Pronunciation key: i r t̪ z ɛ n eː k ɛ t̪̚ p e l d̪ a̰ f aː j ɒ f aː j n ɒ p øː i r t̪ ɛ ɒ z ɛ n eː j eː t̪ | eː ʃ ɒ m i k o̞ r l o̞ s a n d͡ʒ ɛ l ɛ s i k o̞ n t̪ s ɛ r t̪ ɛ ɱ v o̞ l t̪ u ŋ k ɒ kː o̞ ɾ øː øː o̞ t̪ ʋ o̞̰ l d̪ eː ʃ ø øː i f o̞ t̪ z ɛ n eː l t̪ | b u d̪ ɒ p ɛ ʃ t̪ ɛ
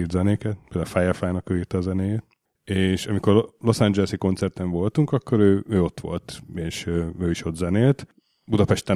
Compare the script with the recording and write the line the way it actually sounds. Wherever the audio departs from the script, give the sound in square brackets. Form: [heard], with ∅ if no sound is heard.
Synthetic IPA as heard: i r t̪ z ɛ n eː k ɛ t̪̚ p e l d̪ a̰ f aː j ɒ f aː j n ɒ [k] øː i r t̪ ɛ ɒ z ɛ n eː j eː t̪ | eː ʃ ɒ m i k o̞ r l o̞ s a n d͡ʒ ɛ l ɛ s i k o̞ n t̪ s ɛ r t̪ ɛ ɱ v o̞ l t̪ u ŋ k ɒ kː o̞ ɾ øː øː o̞ t̪ ʋ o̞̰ l [t̪] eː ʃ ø øː i [ʃ] o̞ t̪ z ɛ n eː l t̪ | b u d̪ ɒ p ɛ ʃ t̪ ɛ